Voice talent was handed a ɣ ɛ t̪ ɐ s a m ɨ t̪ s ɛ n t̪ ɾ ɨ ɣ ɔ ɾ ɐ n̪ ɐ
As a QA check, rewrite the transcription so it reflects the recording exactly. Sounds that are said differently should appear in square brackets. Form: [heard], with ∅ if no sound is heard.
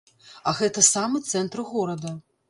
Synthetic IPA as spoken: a ɣ ɛ t̪ ɐ s a m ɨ t̪ s ɛ n t̪ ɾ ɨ ɣ ɔ ɾ ɐ [d̪] ɐ